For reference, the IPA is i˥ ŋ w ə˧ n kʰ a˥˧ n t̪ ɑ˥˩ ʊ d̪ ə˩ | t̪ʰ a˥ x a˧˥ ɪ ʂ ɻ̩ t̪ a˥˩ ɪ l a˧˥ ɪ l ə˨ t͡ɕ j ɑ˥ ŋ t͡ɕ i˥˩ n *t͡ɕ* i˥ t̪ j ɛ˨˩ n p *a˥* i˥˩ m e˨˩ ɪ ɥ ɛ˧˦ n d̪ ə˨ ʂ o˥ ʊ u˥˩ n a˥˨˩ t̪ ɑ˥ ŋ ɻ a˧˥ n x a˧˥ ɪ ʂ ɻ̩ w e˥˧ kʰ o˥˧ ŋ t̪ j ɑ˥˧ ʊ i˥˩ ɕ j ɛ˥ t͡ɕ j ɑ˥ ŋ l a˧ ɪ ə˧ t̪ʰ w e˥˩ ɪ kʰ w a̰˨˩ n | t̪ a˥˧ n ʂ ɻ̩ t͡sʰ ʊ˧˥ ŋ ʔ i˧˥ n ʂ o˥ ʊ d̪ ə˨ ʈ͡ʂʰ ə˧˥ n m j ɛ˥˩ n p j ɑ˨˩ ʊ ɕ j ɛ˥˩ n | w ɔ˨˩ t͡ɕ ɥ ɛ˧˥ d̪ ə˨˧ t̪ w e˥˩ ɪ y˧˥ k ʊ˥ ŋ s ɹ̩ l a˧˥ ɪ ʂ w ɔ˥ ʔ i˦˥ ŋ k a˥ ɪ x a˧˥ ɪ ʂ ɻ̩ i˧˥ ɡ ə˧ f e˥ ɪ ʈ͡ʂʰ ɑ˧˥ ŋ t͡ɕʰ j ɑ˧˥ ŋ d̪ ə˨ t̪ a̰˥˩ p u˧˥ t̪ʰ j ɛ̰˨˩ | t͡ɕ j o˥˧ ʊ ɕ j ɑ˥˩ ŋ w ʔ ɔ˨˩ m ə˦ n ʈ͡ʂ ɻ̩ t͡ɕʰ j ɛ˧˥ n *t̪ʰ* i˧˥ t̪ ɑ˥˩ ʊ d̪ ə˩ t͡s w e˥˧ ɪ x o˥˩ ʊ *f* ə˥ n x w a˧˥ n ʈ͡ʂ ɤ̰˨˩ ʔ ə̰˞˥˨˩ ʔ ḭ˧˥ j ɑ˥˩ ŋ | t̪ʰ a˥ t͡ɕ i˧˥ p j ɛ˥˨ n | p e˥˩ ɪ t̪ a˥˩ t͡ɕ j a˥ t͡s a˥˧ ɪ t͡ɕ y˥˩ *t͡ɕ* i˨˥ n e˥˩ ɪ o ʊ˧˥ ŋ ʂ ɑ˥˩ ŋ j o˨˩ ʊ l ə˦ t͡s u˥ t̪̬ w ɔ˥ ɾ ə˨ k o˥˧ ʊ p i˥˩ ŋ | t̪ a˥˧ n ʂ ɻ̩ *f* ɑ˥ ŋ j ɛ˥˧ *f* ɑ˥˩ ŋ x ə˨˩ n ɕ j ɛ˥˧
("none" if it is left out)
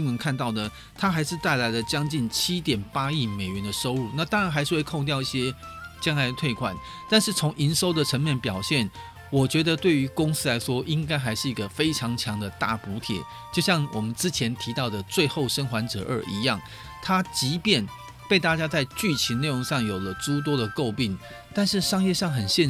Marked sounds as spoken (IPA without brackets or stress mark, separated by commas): t͡ɕʰ, a˥, t̪ʰ, ʂ, t͡ɕʰ, ʂ, ʂ